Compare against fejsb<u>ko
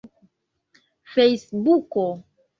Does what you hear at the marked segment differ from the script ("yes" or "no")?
no